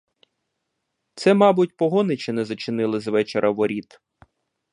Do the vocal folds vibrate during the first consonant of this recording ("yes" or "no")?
no